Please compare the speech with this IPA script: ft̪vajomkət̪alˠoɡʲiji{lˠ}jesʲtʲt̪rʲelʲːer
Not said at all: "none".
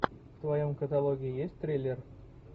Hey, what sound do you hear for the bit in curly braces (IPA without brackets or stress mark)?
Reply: none